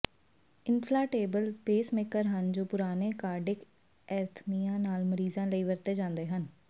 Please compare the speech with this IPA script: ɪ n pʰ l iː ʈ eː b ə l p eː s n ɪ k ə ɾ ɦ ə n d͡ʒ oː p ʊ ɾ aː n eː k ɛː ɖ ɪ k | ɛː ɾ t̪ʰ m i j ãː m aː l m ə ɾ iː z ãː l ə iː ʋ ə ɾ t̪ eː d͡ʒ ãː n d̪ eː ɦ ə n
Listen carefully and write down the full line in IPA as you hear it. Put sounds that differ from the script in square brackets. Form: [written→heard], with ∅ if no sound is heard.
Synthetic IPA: ɪ n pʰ l [iː→aː] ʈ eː b ə l p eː s [n→m] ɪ k ə ɾ ɦ ə n d͡ʒ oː p ʊ ɾ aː n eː k [ɛː→aː] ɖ ɪ k | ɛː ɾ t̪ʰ m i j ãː [m→n] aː l m ə ɾ iː z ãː l ə iː ʋ ə ɾ t̪ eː d͡ʒ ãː n d̪ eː ɦ ə n